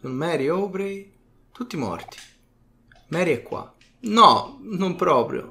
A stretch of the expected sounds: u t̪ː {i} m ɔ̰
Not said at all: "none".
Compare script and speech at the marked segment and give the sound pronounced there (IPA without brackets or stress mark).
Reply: i